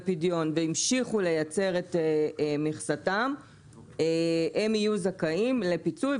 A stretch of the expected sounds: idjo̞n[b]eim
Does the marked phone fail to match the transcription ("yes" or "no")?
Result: yes